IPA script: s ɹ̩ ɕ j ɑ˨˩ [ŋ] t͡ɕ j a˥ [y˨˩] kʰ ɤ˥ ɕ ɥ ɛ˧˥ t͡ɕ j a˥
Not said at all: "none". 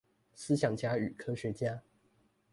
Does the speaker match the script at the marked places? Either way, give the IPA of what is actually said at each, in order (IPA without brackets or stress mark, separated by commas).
ŋ, y˨˩